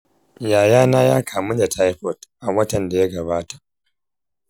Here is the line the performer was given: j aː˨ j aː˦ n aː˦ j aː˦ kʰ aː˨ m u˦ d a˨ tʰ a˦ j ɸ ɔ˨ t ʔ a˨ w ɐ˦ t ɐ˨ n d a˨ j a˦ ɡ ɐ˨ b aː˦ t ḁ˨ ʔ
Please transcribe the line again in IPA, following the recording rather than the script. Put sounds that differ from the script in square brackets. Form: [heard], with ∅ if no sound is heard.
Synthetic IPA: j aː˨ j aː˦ n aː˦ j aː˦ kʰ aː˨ m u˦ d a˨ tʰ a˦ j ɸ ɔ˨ t ʔ a˨ w ɐ˦ t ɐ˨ n d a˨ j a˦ ɡ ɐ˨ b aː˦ t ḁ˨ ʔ

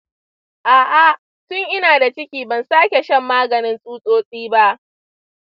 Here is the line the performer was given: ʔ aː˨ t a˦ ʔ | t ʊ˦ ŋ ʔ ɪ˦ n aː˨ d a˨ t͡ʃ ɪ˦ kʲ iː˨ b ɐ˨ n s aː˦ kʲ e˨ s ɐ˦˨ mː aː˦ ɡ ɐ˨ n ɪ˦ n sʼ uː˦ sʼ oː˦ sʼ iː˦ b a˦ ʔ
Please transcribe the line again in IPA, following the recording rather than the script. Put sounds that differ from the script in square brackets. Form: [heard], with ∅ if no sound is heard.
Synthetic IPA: ʔ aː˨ [ʔ] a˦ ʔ | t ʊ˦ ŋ ʔ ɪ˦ n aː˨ d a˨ t͡ʃ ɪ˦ kʲ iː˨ b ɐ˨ n s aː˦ kʲ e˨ [ʃ] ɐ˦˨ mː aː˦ ɡ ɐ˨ n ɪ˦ n sʼ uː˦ sʼ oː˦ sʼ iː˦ b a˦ ʔ

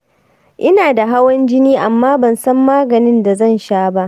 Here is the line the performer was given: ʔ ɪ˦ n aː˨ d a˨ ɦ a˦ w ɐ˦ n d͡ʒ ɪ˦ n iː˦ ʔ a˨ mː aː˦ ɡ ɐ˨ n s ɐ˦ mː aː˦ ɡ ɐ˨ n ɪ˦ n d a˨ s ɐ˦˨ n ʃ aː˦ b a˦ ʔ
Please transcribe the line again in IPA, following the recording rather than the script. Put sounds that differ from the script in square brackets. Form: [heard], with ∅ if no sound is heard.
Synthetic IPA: ʔ ɪ˦ n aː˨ d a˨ ɦ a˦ w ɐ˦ n d͡ʒ ɪ˦ n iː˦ ʔ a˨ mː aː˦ [b] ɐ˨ n s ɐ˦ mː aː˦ ɡ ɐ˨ n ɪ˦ n d a˨ [z] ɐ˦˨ n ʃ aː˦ b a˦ ʔ

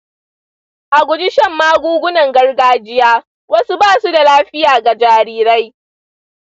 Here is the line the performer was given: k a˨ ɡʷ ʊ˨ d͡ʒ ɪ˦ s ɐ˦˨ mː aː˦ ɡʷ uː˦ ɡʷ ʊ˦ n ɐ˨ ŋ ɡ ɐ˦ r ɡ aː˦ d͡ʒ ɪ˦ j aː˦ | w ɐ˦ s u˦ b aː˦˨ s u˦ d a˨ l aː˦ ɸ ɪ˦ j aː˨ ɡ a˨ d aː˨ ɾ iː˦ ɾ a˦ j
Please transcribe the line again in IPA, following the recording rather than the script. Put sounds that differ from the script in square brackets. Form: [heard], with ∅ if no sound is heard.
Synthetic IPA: [ʔ] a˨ ɡʷ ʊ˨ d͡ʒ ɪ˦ [ʃ] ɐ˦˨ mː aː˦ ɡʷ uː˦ ɡʷ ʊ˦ n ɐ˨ ŋ ɡ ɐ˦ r ɡ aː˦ d͡ʒ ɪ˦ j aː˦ | w ɐ˦ s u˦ b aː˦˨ s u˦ d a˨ l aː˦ ɸ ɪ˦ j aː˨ ɡ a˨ [d͡ʒ] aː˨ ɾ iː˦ ɾ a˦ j

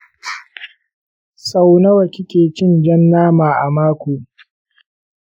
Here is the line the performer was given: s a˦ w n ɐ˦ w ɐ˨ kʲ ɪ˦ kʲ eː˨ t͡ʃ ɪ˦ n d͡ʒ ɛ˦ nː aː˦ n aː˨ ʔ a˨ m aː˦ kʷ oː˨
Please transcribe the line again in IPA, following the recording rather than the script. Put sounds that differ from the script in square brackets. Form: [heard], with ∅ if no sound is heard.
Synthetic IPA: s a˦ w n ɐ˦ w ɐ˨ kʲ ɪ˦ kʲ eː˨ t͡ʃ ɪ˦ n d͡ʒ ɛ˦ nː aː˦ [m] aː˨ ʔ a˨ m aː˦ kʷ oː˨

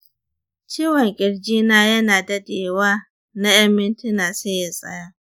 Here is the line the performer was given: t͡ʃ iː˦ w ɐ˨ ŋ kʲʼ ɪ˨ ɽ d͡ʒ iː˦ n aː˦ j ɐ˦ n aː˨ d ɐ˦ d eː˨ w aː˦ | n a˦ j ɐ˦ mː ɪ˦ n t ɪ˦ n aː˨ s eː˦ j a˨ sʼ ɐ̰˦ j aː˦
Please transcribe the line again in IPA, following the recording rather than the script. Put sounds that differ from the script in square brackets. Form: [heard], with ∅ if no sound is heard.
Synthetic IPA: t͡ʃ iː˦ w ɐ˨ ŋ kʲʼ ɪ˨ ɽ d͡ʒ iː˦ n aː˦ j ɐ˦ n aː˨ d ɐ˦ d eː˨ w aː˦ | n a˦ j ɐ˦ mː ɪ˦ n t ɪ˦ n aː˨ s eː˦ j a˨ sʼ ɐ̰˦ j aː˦

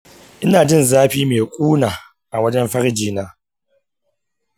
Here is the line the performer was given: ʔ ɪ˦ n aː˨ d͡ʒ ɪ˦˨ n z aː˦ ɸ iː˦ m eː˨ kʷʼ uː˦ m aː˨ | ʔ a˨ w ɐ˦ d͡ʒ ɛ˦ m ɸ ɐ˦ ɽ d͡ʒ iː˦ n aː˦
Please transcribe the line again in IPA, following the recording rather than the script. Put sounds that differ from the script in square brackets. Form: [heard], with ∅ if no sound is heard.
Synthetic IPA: ʔ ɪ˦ n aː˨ d͡ʒ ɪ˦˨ n z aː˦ ɸ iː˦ m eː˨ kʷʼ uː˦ [n] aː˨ | ʔ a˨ w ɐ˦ d͡ʒ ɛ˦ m ɸ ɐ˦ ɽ d͡ʒ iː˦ n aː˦

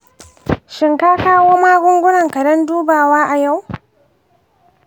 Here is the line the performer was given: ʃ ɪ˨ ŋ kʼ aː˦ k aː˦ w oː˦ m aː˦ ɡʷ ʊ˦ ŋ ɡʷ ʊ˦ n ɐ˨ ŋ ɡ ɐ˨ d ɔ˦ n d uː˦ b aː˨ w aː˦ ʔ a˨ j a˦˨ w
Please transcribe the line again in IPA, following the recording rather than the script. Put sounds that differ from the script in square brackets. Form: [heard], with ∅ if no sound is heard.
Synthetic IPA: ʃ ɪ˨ ŋ [k] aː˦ k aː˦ w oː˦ m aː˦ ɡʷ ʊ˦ ŋ ɡʷ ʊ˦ n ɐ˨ ŋ [k] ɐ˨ d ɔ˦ n d uː˦ b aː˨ w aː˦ ʔ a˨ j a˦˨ w

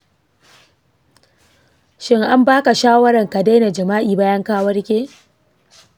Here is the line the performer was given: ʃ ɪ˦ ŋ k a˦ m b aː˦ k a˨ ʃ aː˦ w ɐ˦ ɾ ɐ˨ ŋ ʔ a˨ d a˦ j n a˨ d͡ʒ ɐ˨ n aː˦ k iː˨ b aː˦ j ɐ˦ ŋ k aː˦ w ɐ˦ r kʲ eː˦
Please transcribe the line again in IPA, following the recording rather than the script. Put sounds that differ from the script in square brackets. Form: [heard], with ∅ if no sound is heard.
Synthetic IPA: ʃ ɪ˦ ŋ [ʔ] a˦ m b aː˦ k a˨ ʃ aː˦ w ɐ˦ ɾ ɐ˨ ŋ [k] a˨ d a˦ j n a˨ d͡ʒ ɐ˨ [m] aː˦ [ʔ] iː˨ b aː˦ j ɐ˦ ŋ k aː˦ w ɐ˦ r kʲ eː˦

